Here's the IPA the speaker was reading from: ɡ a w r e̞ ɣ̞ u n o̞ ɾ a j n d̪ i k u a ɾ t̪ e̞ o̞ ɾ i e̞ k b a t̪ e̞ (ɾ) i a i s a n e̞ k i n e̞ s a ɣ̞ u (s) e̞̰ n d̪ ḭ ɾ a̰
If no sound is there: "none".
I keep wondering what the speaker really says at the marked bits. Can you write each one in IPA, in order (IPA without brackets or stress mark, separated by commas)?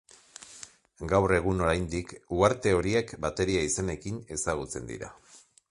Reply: ɾ, t͡s